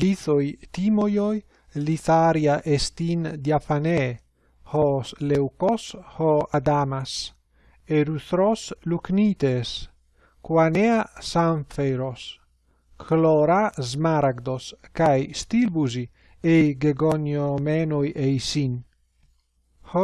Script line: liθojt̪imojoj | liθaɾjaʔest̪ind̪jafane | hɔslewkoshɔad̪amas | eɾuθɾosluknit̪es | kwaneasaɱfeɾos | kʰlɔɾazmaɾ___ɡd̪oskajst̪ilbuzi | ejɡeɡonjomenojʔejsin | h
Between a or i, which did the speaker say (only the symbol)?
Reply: a